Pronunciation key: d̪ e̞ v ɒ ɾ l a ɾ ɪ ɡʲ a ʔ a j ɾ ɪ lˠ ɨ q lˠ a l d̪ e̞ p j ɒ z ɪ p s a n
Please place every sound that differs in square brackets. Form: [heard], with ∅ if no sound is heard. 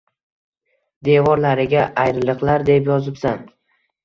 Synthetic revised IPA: d̪ e̞ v ɒ ɾ l a ɾ ɪ ɡʲ a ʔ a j ɾ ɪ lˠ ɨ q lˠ a [ɾ] d̪ e̞ p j ɒ z ɪ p s a n